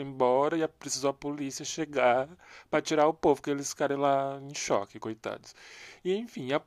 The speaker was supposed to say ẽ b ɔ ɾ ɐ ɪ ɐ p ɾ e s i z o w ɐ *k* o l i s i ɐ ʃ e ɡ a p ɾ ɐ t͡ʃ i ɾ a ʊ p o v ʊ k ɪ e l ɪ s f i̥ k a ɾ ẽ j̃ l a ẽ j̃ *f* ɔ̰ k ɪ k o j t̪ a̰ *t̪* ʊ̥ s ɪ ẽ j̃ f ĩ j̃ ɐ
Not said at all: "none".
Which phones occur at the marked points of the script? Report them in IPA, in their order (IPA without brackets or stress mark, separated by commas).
p, ʃ, d̪